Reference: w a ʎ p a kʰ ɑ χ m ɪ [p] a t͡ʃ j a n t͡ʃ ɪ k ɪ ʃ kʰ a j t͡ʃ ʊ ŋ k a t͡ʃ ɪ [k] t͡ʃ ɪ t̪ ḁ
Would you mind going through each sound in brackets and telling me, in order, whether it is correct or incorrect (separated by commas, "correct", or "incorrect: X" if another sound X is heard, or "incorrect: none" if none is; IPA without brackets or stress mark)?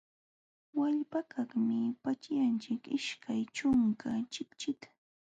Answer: correct, correct